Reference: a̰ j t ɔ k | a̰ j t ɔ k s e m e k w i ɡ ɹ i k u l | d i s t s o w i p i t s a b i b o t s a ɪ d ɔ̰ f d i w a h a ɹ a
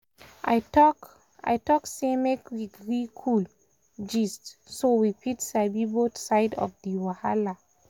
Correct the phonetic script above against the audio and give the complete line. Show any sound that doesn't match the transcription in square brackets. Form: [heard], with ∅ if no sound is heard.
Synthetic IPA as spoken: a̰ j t ɔ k | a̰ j t ɔ k s e m e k w i ɡ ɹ i [kʰ] u l | [d͡ʒ] i s t s o w i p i t s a b i b o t s a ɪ d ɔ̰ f d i w a h a [l] a